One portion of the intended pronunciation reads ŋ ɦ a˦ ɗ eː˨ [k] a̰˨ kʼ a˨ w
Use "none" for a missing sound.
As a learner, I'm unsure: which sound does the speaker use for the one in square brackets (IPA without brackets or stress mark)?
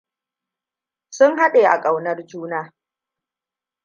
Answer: ʔ